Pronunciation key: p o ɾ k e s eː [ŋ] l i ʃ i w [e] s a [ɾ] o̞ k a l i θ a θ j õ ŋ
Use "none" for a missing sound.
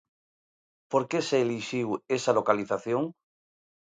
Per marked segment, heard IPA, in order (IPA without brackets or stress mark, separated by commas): none, e, l